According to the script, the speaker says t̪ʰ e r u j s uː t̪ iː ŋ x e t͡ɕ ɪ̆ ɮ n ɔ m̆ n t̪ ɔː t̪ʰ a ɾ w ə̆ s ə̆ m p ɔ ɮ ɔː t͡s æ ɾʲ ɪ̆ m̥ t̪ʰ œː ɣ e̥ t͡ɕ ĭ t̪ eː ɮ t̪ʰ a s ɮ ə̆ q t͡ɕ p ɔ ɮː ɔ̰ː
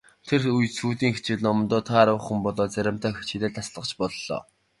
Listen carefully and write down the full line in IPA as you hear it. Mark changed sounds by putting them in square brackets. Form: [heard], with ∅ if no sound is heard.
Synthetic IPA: t̪ʰ e r u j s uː t̪ iː ŋ x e t͡ɕ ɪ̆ ɮ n ɔ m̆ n t̪ ɔː t̪ʰ a ɾ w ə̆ [χ] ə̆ m p ɔ ɮ ɔː t͡s æ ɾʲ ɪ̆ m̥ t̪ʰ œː [x] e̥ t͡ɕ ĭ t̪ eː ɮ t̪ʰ a s ɮ ə̆ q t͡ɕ p ɔ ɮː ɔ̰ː